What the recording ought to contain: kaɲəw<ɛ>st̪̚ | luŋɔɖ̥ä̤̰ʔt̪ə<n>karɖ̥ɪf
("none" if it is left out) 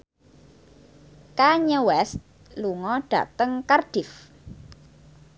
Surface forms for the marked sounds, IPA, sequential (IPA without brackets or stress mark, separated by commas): ɛ, ŋ